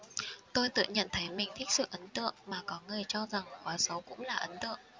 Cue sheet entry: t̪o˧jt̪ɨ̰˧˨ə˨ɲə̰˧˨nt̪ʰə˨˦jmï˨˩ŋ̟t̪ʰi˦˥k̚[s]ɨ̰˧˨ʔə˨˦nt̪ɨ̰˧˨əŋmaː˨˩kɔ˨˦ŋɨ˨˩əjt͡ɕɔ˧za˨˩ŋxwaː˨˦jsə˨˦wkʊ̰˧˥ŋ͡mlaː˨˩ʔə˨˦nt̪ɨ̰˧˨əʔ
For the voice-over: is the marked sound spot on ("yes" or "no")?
yes